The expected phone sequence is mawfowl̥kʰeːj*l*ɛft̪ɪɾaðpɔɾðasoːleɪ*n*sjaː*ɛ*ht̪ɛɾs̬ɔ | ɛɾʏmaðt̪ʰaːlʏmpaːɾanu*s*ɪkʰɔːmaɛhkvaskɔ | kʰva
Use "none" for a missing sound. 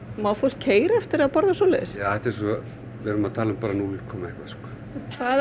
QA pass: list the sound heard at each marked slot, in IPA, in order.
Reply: ɾ, none, ɛ, none

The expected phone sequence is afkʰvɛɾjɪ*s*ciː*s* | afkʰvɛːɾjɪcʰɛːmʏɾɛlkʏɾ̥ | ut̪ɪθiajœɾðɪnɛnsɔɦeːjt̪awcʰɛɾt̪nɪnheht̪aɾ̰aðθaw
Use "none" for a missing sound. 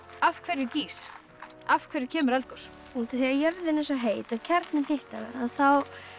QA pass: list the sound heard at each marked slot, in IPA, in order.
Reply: none, s

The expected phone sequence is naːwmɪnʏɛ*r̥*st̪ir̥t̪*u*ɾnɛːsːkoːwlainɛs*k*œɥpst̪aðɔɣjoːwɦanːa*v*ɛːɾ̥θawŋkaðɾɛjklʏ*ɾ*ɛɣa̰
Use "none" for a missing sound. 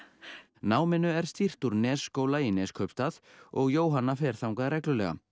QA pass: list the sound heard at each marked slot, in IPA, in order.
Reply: ɾ̥, u, kʰ, f, l

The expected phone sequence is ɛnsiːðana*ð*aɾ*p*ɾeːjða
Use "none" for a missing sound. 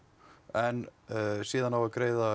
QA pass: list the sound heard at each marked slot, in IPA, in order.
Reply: v, k

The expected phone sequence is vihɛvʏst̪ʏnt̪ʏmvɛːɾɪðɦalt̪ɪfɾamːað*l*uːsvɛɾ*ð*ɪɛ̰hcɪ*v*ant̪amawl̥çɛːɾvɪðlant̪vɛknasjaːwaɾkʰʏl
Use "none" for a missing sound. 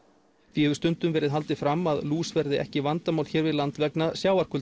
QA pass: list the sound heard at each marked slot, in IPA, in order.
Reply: l, ð, v

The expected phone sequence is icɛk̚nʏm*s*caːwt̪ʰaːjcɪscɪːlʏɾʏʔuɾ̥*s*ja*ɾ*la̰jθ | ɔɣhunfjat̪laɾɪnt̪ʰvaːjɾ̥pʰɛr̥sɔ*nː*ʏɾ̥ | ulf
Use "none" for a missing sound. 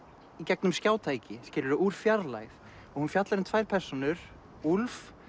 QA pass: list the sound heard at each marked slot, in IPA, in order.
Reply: s, f, ɾ, n

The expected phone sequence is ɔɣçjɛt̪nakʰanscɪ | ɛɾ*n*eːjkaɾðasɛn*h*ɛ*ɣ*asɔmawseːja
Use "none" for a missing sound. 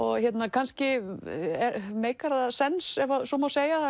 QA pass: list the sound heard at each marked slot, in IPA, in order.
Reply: m, s, v

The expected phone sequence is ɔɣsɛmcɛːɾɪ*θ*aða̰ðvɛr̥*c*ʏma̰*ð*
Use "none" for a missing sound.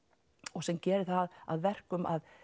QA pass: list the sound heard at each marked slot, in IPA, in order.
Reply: θ, k, ð

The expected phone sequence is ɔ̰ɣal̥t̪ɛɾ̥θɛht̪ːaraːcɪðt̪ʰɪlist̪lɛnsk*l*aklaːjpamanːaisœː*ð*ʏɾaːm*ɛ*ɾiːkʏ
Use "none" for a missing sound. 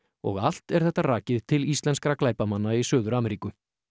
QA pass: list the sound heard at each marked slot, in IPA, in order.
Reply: ɾ, ð, ɛ

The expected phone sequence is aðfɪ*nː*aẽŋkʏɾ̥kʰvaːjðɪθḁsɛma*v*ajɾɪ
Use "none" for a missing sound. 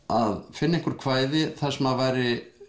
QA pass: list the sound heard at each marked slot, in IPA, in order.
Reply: nː, v

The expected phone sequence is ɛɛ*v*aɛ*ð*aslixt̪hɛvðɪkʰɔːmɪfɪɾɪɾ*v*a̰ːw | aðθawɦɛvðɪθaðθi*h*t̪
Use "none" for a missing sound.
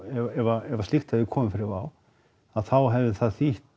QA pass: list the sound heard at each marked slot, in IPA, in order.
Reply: v, v, v, h

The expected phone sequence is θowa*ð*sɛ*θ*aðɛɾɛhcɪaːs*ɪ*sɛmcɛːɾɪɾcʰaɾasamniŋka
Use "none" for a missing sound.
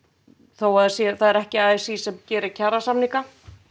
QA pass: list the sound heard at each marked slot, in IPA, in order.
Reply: ð, θ, i

